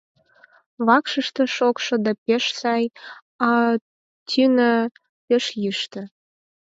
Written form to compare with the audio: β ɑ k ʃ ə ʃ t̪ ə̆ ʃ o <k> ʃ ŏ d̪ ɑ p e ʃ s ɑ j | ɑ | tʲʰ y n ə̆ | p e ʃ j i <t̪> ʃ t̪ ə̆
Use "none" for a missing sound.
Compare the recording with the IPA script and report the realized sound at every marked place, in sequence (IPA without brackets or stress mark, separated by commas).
k, none